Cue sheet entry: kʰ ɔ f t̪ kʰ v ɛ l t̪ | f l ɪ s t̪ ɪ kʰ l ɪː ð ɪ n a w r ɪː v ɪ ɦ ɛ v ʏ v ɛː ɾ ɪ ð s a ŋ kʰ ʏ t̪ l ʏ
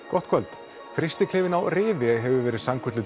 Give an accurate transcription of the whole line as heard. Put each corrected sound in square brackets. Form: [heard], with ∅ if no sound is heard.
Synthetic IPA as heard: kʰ ɔ [h] t̪ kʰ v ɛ l t̪ | f [ɾ] ɪ s t̪ ɪ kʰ l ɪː [v] ɪ n a w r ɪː v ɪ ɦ ɛ v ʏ v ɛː ɾ ɪ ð s a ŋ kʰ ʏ t̪ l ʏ

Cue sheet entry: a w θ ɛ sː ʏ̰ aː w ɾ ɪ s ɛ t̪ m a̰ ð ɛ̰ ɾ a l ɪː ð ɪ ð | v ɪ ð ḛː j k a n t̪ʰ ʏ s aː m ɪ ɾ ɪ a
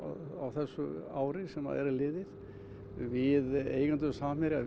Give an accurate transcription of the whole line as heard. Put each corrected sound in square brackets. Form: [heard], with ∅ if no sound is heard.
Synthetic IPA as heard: a w θ ɛ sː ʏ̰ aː w ɾ ɪ s ɛ [∅] m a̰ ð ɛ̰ ɾ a l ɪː ð ɪ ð | v ɪ ð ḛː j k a n [t̪] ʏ s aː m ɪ ɾ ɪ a

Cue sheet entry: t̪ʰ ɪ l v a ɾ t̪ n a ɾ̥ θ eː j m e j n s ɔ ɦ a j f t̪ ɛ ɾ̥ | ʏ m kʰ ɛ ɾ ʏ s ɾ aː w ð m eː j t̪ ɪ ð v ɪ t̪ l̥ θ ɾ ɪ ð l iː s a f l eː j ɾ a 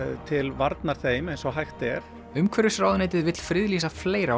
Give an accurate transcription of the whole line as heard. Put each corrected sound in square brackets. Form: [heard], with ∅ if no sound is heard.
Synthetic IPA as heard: t̪ʰ ɪ l v a ɾ t̪ n a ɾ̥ θ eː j m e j n s ɔ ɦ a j [x] t̪ ɛ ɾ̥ | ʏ m kʰ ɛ ɾ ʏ s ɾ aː w ð [n] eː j t̪ ɪ ð v ɪ t̪ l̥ [f] ɾ ɪ ð l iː s a f l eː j ɾ a

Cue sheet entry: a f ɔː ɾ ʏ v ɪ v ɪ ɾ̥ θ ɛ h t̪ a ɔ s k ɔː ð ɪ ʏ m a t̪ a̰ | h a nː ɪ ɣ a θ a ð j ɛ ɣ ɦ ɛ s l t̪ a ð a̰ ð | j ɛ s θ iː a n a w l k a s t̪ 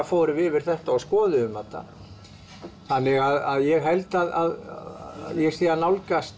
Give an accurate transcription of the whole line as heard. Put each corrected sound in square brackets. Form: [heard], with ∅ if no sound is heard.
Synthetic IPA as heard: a f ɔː ɾ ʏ v ɪ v ɪ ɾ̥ θ ɛ h t̪ a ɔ s k ɔː ð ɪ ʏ m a t̪ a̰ | [θ] a nː ɪ ɣ a [ð] a ð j ɛ ɣ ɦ ɛ [∅] l t̪ a ð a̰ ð | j ɛ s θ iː a n a w l k a s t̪

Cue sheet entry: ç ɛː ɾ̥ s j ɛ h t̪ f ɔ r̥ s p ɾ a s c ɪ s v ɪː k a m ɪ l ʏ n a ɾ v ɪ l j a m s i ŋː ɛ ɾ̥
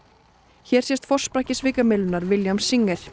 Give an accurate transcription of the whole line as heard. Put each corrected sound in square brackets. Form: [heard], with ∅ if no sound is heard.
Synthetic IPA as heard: ç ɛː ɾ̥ s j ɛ [s] t̪ f ɔ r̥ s p ɾ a [h] c ɪ s v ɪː k a m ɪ l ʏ n a ɾ v ɪ l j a m s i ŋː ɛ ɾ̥

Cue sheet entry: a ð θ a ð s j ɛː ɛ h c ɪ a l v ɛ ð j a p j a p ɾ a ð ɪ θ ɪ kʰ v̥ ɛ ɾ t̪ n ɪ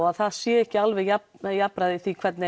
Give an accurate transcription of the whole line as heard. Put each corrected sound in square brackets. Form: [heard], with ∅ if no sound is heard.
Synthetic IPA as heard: a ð θ a ð s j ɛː ɛ h c ɪ a l v ɛ [ɣ] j a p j a p ɾ a ð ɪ θ [i] kʰ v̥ ɛ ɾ t̪ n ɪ

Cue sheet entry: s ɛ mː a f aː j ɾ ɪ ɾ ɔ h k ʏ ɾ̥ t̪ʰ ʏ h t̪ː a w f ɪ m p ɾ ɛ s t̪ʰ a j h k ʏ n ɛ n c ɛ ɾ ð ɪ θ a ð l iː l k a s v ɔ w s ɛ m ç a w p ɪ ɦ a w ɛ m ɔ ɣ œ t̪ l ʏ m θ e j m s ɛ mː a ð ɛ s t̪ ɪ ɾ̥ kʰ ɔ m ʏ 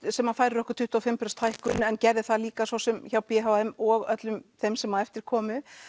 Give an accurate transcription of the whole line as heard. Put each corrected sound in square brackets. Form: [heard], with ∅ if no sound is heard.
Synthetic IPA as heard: s ɛ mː a f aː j ɾ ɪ ɾ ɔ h k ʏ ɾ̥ t̪ʰ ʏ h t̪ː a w f ɪ m p ɾ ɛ s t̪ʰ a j h k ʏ n ɛ n c ɛ ɾ ð ɪ θ a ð l iː [∅] k a s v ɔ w s ɛ m ç a w p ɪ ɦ a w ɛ m ɔ ɣ œ t̪ l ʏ m θ e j m s ɛ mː a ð ɛ [f] t̪ ɪ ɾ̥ kʰ [ɔː] m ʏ

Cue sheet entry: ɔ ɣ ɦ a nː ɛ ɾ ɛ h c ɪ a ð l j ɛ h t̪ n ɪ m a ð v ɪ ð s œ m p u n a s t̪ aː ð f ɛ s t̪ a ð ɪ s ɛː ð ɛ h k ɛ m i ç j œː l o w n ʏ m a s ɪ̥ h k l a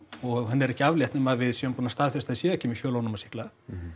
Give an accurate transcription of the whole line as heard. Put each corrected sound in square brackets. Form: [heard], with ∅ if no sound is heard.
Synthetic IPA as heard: ɔ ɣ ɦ a nː ɛ ɾ ɛ h c ɪ a [v] l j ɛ h t̪ n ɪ m a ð v ɪ ð s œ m p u n a s t̪ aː ð f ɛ s t̪ a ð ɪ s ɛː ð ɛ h [c] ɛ m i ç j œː l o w n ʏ m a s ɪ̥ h k l a

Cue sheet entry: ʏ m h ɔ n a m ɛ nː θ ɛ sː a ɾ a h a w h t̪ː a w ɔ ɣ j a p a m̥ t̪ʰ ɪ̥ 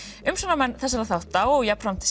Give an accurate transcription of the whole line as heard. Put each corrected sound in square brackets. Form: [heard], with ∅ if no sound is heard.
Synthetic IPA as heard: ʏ m [s] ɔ n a m ɛ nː θ ɛ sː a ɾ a [θ] a w h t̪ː a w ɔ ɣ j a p a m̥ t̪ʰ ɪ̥

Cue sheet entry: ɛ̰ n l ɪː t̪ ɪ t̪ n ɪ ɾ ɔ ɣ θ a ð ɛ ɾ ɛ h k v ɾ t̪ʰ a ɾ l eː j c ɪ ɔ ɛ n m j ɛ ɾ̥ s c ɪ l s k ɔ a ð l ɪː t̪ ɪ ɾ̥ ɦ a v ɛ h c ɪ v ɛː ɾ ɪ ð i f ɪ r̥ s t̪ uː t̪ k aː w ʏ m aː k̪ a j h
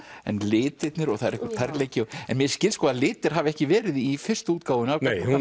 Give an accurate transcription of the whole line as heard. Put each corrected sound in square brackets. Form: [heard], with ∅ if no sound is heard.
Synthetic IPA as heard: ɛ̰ n l ɪː t̪ ɪ t̪ n ɪ ɾ ɔ ɣ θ a ð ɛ ɾ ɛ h k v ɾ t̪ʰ a ɾ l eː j c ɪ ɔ ɛ n m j ɛ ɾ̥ s c ɪ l s k ɔ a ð l ɪː t̪ ɪ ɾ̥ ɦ a v ɛ h c ɪ v ɛː ɾ ɪ ð i f ɪ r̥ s t̪ uː t̪ k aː w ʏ [n] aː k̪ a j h

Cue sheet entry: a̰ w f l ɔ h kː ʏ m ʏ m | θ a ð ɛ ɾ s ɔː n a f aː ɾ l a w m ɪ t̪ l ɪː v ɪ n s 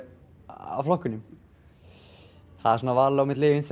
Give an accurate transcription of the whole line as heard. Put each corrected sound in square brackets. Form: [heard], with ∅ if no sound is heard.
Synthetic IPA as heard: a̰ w f l ɔ h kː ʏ [n] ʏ m | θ a ð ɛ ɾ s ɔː n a [v] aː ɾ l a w m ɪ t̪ l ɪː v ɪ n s

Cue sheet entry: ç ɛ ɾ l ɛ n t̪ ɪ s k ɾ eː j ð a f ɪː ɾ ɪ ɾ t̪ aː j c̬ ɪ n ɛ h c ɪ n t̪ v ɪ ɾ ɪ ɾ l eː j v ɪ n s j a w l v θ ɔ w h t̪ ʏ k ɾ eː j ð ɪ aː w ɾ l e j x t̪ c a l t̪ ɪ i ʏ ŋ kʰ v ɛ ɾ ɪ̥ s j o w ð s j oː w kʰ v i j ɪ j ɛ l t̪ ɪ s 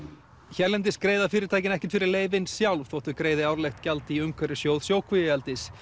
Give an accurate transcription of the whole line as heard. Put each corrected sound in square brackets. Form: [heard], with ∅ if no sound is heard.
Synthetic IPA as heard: ç ɛ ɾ l ɛ n t̪ ɪ s k ɾ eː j ð a f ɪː ɾ ɪ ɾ t̪ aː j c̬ ɪ n ɛ h c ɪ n t̪ [f] ɪ ɾ ɪ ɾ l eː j v ɪ n s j a w l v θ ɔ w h t̪ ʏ k ɾ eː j ð ɪ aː w ɾ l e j x t̪ c a l t̪ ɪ i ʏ [m] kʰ v ɛ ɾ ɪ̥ s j o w ð s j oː w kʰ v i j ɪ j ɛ l t̪ ɪ s

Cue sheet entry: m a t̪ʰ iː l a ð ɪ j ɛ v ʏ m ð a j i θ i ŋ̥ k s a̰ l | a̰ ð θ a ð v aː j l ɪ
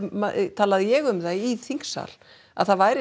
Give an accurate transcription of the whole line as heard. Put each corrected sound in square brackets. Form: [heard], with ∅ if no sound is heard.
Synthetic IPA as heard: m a t̪ʰ [aː] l a ð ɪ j ɛ [ɣ] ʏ m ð a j i θ i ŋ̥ k s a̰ l | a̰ ð θ a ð v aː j [ɾ] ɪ

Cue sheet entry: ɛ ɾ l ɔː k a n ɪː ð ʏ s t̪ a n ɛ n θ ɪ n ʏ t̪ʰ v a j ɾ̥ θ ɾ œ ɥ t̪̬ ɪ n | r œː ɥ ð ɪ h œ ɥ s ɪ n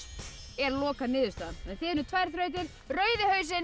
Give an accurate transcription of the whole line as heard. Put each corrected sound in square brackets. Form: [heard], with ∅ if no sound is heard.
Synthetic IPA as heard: ɛ ɾ l ɔː k a n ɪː ð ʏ s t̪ a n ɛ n θ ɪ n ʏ t̪ʰ v a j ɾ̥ θ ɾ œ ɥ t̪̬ ɪ n | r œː ɥ ð ɪ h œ ɥ s ɪ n

